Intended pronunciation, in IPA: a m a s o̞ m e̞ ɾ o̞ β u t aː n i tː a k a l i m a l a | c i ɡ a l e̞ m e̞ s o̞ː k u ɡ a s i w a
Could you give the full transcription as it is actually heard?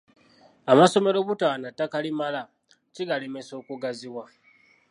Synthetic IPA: a m a s o̞ m e̞ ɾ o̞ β u t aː n a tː a k a l i m a l a | c i ɡ a l e̞ m e̞ s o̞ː k u ɡ a z i w a